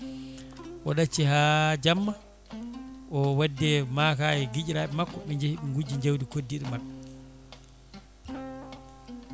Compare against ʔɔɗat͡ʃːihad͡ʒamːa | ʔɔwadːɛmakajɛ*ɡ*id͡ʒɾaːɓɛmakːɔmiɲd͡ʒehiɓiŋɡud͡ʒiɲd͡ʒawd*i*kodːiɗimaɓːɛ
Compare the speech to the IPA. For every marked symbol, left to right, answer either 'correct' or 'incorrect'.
correct, correct

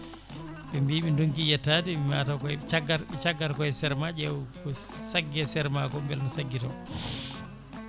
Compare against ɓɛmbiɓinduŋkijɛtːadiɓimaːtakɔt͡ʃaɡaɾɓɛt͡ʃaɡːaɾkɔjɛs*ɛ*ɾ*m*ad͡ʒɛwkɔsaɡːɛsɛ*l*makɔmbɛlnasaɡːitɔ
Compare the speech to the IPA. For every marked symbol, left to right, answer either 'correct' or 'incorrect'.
correct, correct, incorrect: ɾ

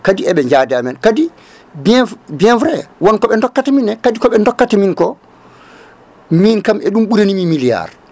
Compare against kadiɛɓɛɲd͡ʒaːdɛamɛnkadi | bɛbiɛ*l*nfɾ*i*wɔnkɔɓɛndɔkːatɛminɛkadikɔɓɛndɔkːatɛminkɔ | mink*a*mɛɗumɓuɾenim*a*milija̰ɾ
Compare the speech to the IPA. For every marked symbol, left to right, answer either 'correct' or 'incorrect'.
incorrect: none, incorrect: ɛ, correct, incorrect: i

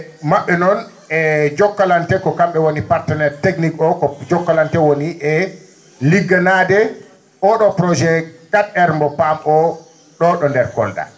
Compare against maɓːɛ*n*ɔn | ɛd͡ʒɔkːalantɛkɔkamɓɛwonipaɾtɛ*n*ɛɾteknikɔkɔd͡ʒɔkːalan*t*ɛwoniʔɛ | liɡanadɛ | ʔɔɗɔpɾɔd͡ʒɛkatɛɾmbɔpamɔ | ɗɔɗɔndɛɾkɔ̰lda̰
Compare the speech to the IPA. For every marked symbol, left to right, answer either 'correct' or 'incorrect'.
correct, correct, correct

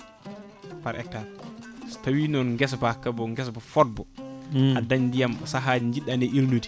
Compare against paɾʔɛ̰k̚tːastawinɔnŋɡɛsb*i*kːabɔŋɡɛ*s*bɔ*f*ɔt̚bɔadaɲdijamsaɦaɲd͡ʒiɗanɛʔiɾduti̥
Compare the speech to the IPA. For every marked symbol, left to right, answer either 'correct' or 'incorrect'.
incorrect: a, correct, correct

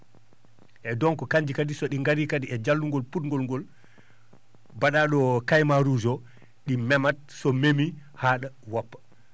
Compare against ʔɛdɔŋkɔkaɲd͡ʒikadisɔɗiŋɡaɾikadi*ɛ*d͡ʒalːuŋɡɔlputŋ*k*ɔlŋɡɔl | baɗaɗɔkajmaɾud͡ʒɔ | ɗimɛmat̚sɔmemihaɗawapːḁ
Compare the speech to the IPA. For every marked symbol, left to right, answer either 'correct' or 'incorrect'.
correct, incorrect: ɡ

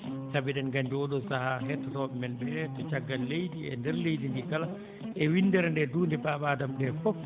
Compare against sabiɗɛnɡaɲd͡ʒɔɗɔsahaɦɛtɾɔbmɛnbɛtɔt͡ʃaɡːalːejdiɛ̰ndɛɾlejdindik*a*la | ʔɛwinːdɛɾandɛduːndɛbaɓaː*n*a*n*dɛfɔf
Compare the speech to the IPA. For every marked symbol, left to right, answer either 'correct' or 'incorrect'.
correct, incorrect: d, incorrect: m

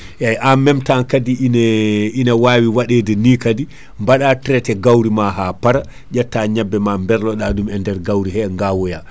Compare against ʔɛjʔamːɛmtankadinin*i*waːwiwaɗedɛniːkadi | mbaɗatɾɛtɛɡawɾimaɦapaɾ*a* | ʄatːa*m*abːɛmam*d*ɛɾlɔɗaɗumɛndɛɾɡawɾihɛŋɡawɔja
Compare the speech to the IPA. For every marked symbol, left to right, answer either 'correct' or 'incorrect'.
incorrect: a, correct, incorrect: ɲ, incorrect: b

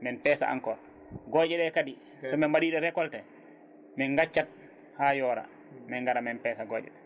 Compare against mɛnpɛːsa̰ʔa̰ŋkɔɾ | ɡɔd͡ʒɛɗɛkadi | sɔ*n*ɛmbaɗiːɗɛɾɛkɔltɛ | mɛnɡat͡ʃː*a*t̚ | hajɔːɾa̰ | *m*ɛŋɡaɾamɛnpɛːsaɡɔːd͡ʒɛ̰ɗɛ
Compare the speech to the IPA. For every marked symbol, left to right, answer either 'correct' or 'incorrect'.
incorrect: m, correct, correct

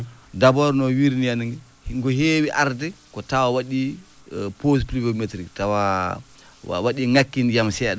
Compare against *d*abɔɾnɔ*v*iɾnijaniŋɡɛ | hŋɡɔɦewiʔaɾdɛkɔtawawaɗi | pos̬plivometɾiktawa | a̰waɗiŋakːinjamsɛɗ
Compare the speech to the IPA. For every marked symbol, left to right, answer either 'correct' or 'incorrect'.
correct, incorrect: w

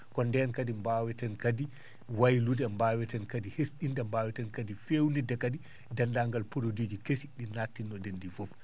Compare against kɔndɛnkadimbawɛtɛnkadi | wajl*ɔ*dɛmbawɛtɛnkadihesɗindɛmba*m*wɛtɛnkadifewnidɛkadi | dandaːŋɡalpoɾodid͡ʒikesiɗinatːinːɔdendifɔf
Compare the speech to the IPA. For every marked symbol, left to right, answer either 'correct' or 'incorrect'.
incorrect: u, incorrect: none

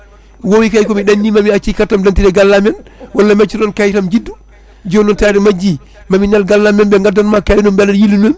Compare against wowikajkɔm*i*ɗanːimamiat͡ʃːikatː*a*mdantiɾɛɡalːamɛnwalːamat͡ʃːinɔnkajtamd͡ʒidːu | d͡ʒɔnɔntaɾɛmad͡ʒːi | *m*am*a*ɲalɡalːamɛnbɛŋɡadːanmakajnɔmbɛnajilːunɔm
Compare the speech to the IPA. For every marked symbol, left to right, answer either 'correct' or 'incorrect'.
correct, correct, correct, incorrect: i

